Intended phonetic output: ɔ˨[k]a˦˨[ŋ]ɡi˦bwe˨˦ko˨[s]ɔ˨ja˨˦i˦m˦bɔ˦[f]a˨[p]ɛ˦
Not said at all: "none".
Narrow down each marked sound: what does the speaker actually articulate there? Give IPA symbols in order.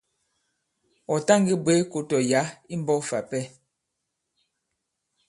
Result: t, ŋ, t, f, p

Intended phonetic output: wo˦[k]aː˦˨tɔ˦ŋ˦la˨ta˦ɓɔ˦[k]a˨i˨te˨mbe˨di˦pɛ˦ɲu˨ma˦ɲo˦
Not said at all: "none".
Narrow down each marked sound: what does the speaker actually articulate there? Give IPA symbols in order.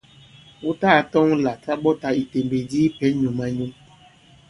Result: t, t

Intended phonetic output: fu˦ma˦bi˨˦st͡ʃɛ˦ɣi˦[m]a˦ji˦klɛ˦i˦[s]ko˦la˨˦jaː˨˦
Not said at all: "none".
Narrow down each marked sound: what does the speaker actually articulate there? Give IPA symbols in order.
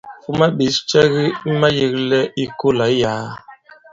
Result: m, none

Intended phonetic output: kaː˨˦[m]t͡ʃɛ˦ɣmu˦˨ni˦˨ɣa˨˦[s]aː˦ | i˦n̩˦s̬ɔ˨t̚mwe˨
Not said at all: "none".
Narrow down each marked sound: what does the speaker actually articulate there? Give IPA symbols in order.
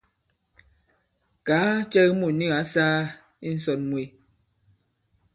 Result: none, s

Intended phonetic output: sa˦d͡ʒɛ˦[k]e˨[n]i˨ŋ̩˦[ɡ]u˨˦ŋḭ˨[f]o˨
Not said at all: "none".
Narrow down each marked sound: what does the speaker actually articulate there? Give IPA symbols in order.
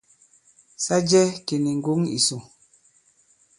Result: k, n, ɡ, s

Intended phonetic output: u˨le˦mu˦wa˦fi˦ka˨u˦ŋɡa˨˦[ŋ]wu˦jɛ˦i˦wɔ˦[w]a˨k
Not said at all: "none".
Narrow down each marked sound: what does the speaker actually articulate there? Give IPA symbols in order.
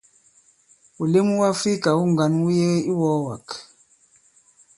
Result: n, w

